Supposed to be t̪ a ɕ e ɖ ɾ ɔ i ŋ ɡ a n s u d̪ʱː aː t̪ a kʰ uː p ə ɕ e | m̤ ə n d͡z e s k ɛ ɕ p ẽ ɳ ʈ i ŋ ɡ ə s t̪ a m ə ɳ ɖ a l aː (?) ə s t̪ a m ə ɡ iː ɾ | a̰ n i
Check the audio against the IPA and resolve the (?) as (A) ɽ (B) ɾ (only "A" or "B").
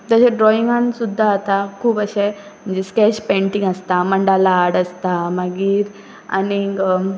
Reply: A